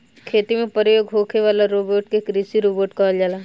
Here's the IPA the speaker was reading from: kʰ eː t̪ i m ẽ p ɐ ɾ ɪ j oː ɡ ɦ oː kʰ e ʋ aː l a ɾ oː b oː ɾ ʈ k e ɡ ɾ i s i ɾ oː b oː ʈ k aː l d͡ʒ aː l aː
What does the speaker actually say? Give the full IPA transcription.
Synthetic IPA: kʰ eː t̪ i m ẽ p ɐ ɾ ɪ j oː ɡ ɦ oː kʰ e ʋ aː l a ɾ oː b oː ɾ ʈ k e k ɾ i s i ɾ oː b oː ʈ k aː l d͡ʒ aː l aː